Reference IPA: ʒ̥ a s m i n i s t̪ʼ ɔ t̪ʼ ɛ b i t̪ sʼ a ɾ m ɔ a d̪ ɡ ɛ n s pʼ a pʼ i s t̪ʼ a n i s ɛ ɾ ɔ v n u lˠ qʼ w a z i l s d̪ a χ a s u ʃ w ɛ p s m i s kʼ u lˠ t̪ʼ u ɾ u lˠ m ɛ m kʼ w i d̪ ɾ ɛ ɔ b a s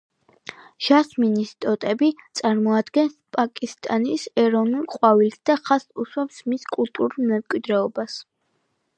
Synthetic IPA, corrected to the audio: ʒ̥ a s m i n i s t̪ʼ ɔ t̪ʼ ɛ b i t̪ sʼ a ɾ m ɔ a d̪ ɡ ɛ n s pʼ a kʼ i s t̪ʼ a n i s ɛ ɾ ɔ v n u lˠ qʼ w a v i l s d̪ a χ a s u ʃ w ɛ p s m i s kʼ u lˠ t̪ʼ u ɾ u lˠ m ɛ m kʼ w i d̪ ɾ ɛ ɔ b a s